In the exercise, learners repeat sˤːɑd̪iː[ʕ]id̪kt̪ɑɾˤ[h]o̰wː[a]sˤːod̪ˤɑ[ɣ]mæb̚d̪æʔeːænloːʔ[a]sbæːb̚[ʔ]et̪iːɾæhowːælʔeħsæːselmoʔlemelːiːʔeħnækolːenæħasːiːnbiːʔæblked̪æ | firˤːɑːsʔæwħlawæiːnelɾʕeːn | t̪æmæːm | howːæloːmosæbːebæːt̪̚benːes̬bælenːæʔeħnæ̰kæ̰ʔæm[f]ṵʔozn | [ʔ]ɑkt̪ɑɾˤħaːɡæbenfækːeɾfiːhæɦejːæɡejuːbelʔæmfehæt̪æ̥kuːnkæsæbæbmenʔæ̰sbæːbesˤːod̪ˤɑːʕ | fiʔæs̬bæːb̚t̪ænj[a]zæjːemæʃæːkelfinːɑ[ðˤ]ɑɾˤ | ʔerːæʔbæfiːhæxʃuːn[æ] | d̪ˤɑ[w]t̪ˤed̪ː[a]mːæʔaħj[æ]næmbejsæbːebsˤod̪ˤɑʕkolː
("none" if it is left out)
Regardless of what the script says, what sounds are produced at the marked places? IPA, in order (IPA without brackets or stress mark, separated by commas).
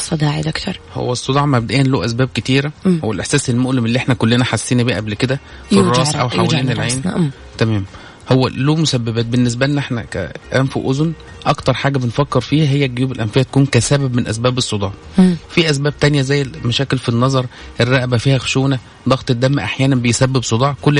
ʕ, h, æ, ʕ, æ, k, f, ʔ, æ, zˤ, æ, ɣ, æ, æː